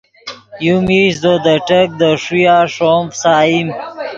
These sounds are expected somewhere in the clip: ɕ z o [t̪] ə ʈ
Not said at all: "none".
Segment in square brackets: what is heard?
d̪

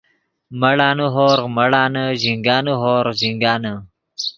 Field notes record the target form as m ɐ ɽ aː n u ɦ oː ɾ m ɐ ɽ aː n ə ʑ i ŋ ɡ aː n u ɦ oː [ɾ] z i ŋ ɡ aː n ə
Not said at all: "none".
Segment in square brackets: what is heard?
ɾ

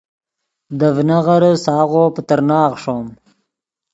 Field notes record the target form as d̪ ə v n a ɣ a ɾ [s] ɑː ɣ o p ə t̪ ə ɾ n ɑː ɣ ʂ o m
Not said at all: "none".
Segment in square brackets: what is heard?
s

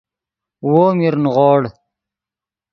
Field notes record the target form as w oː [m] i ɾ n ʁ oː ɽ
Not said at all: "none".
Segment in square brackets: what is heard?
m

